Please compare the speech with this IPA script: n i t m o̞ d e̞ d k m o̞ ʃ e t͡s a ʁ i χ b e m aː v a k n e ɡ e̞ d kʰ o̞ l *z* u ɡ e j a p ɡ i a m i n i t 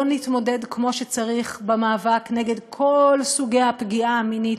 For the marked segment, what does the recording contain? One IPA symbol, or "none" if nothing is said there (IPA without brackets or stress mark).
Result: s